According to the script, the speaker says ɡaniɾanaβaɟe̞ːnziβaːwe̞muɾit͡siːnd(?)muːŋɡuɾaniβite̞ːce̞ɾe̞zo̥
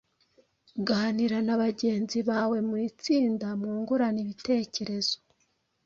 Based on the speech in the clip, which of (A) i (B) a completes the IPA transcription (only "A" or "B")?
B